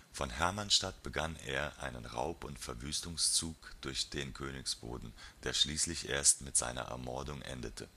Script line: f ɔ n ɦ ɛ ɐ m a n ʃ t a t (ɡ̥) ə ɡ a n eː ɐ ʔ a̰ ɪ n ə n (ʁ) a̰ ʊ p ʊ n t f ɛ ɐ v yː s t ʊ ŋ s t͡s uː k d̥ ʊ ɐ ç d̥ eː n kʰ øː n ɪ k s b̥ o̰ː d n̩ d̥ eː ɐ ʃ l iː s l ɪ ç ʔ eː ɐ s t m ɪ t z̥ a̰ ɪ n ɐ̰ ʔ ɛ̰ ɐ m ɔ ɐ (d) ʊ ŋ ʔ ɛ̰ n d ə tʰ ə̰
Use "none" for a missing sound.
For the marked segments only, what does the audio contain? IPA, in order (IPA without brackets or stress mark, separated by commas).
b̥, ʁ, d